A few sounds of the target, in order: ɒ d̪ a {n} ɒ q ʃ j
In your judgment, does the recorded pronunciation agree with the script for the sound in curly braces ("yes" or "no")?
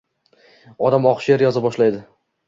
no